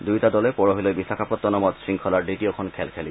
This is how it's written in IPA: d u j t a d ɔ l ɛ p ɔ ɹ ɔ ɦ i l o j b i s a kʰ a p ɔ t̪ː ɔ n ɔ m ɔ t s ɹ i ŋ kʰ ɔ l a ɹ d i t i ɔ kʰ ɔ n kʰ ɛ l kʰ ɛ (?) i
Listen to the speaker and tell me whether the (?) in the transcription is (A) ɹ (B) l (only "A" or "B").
B